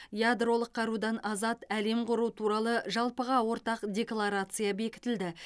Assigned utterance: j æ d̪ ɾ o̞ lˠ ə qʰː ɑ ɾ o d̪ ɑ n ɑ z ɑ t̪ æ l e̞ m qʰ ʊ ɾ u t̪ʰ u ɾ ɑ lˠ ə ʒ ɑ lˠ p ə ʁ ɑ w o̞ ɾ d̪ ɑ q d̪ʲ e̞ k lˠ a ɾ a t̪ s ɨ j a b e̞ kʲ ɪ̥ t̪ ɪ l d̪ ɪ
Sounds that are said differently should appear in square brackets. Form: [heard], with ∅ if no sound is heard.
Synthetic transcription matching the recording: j [a] d̪ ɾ o̞ lˠ ə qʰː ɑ ɾ [u] d̪ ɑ n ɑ z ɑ t̪ æ l e̞ m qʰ ʊ ɾ u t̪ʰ u ɾ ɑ lˠ ə ʒ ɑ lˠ p ə ʁ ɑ w o̞ ɾ [t̪] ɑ q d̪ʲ e̞ k lˠ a ɾ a t̪ s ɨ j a b e̞ kʲ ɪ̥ t̪ ɪ l d̪ ɪ